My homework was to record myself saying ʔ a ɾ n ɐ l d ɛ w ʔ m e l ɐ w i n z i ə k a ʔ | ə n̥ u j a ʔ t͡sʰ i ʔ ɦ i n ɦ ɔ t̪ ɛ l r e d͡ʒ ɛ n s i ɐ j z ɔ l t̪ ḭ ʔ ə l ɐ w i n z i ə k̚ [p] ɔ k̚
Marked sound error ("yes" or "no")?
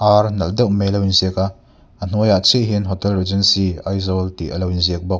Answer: yes